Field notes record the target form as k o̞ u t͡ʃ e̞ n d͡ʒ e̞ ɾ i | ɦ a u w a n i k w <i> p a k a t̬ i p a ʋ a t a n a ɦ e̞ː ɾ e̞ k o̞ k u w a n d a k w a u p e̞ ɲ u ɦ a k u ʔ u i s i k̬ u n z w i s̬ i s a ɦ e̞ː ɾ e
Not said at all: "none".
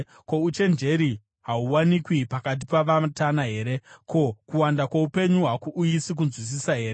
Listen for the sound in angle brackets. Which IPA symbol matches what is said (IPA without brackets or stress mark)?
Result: i